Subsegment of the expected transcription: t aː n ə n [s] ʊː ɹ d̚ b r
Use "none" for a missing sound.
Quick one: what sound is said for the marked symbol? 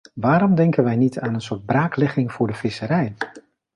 s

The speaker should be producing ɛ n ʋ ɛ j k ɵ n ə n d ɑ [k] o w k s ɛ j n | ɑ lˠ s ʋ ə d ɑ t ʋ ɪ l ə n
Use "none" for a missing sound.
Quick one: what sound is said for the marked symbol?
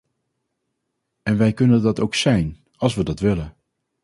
t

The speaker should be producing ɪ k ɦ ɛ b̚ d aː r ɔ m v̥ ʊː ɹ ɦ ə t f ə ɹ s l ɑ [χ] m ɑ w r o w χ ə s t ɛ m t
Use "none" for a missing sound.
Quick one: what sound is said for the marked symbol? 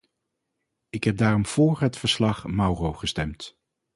χ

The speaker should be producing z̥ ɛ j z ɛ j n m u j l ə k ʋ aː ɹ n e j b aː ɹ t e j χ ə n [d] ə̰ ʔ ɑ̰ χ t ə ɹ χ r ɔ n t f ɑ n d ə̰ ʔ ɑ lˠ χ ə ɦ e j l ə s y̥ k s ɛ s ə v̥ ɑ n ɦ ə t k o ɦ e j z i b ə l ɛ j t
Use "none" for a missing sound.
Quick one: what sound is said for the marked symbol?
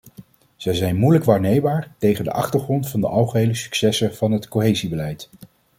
d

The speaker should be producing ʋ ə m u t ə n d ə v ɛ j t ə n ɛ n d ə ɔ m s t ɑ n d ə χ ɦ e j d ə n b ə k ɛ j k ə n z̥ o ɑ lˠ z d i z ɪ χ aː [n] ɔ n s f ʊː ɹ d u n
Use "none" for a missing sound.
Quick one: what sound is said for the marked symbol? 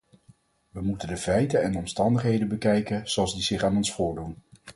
n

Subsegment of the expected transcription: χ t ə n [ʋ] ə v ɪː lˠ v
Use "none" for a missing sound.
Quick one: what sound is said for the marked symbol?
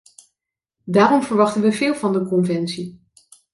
ʋ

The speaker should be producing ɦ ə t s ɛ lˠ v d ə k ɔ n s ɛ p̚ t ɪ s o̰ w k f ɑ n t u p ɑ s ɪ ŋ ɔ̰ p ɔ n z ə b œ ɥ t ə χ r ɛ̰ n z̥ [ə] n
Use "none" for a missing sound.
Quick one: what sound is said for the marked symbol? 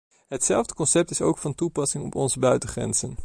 ə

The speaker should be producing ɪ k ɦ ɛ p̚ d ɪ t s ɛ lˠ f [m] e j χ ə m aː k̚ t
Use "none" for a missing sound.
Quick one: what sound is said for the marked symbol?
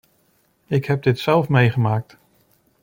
m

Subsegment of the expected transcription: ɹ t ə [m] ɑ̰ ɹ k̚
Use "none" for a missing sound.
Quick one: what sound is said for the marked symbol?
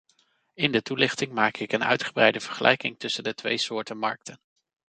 m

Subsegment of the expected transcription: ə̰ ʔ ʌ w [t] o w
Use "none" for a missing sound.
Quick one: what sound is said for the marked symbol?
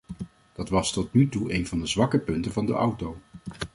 t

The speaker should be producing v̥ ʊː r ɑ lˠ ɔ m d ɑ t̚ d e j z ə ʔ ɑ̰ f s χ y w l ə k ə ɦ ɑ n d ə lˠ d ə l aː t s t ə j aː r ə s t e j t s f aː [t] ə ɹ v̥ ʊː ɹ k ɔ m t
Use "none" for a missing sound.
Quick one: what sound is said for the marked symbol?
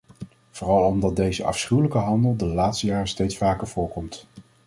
k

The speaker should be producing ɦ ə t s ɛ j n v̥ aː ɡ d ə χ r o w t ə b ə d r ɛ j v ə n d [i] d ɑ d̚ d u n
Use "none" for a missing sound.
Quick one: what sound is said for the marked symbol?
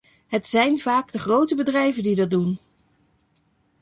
i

